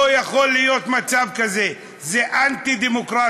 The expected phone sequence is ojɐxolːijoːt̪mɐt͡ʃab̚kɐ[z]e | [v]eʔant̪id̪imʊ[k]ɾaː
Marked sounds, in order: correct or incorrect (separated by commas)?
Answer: correct, incorrect, correct